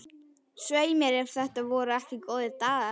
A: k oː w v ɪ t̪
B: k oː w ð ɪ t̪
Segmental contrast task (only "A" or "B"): B